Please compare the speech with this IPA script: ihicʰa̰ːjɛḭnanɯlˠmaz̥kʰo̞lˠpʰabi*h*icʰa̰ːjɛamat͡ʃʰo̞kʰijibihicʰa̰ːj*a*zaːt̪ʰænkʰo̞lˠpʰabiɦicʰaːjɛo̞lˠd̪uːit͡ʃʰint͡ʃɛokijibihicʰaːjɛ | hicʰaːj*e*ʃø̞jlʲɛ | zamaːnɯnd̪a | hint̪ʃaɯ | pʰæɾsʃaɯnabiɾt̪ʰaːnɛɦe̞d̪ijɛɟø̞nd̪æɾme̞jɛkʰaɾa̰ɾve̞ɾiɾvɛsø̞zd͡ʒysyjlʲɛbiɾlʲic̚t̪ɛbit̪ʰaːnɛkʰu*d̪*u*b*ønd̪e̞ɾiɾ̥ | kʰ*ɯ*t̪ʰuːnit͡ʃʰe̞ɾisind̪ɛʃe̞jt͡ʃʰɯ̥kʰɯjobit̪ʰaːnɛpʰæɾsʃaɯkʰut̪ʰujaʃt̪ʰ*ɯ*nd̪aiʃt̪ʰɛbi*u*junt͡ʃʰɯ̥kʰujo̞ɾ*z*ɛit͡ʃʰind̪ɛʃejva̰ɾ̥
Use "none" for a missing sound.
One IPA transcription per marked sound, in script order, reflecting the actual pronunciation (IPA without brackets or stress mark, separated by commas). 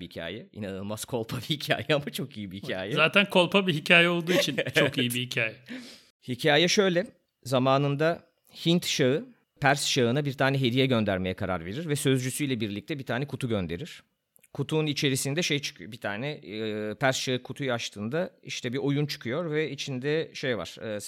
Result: h, ɛ, ɛ, t̪, ɟ, u, ɯː, o, v